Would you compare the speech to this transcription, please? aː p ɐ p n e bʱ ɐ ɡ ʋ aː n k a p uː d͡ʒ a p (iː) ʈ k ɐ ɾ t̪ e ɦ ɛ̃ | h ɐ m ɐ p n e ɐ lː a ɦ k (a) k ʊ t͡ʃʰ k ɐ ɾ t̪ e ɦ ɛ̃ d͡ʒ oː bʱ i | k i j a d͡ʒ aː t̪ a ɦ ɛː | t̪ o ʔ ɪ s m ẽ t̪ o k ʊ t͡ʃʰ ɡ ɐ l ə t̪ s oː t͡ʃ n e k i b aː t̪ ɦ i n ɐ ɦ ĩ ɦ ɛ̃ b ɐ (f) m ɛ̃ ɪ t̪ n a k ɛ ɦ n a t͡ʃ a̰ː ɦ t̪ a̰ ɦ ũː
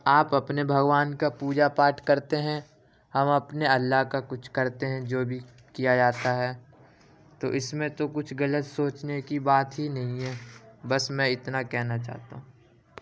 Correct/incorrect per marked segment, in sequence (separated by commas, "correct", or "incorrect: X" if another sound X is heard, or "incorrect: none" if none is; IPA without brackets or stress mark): incorrect: aː, correct, incorrect: s